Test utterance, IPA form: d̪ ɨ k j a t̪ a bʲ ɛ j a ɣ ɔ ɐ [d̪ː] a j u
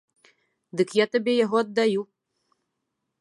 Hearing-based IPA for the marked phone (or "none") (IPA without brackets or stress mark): d̪ː